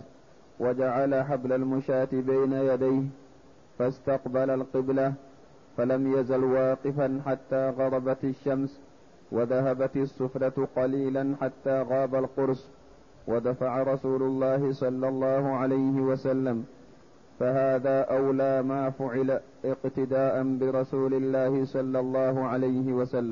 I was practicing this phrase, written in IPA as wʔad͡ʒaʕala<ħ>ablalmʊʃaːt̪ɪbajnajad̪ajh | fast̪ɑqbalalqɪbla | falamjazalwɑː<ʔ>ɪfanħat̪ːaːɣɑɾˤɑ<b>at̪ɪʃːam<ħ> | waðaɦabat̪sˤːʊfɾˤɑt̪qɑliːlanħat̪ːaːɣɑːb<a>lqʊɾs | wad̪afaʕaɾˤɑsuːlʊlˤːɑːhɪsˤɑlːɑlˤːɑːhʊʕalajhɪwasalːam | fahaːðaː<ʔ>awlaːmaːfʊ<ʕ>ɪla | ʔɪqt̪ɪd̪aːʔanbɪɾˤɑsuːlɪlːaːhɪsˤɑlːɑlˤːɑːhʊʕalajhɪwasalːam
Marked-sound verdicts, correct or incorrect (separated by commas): correct, incorrect, correct, incorrect, correct, correct, correct